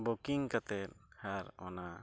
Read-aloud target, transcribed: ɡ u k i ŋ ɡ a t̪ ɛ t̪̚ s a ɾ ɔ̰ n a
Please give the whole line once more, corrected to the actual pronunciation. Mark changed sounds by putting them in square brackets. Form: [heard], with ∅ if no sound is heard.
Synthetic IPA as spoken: [b] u k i ŋ [k] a t̪ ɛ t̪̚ [h] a ɾ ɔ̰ n a